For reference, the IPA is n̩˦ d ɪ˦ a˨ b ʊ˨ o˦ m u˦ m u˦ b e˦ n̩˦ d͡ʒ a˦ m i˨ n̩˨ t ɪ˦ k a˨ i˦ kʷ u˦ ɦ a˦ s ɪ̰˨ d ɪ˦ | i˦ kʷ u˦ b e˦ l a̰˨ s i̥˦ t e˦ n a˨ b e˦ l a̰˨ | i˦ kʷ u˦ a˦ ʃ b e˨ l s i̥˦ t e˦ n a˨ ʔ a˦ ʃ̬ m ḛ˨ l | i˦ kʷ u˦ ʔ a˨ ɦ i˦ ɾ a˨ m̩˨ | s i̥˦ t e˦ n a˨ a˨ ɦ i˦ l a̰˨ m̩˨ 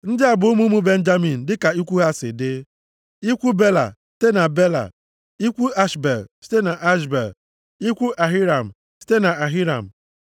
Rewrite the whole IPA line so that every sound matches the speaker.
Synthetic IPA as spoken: n̩˦ d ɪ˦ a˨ b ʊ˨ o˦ m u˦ m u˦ b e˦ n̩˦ d͡ʒ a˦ m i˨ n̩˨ d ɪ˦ k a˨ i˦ kʷ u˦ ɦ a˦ s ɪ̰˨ d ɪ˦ | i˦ kʷ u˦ b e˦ l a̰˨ s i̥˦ t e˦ n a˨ b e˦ l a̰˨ | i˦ kʷ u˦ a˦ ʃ b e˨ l s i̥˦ t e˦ n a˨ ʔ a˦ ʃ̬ b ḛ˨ l | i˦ kʷ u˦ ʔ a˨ ɦ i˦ ɾ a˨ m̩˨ | s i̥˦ t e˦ n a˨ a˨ ɦ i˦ ɾ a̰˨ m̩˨